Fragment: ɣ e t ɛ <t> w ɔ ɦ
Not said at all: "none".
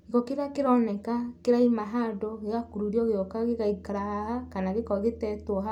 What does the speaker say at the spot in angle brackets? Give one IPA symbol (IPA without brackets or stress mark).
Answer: t